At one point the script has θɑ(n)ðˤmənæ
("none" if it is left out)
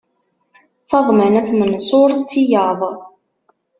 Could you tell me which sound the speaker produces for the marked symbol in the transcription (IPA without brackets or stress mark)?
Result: none